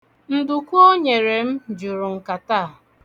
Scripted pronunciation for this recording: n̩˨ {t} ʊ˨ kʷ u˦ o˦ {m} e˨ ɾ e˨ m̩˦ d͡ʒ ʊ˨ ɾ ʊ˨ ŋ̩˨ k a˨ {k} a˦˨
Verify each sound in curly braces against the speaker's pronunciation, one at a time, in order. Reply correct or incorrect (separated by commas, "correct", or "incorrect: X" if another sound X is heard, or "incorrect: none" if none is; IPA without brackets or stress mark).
incorrect: d, incorrect: ɲ, incorrect: t